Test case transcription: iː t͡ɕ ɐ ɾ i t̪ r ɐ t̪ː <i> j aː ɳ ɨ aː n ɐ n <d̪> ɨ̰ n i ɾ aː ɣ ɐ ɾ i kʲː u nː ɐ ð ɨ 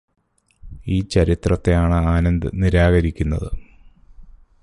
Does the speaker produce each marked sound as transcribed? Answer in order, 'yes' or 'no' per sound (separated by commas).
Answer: no, yes